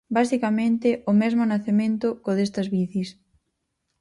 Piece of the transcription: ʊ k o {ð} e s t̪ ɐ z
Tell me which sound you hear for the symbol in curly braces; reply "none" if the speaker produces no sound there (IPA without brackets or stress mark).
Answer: ð